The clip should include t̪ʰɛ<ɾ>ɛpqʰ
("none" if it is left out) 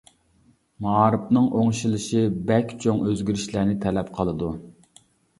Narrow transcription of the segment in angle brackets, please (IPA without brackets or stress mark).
l